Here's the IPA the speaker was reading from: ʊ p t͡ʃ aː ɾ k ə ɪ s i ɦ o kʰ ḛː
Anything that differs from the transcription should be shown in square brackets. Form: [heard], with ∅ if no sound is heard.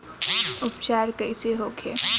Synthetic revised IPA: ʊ p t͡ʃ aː ɾ k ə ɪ s [e] ɦ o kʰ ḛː